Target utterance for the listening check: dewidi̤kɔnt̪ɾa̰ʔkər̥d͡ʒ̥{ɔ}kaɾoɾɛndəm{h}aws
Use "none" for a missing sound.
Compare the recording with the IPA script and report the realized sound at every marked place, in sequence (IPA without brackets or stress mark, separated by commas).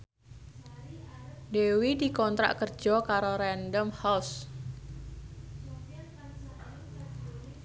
ɔ, h